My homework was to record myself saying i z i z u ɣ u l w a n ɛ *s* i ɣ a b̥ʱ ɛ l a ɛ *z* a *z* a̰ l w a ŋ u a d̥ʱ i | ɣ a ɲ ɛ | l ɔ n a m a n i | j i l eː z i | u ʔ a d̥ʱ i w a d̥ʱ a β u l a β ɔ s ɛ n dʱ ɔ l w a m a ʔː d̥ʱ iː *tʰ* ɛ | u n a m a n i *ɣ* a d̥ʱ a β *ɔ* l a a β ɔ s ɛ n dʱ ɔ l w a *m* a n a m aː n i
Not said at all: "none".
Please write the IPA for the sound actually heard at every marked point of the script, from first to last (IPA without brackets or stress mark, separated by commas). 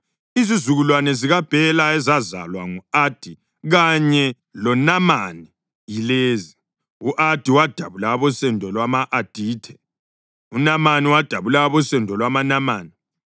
z, z, z, tʰ, w, u, m